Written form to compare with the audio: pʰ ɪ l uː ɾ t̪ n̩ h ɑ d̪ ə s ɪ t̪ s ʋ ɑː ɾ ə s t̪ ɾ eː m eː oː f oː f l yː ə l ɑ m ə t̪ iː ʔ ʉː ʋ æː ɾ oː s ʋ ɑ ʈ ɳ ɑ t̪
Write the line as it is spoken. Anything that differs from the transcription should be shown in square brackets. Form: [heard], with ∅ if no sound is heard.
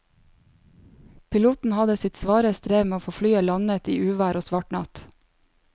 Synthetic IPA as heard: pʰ ɪ l uː [∅] t̪ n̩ h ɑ d̪ ə s ɪ t̪ s ʋ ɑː ɾ ə s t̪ ɾ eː m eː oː f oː f l yː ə l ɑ [n] ə t̪ iː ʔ ʉː ʋ æː ɾ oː s ʋ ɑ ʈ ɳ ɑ t̪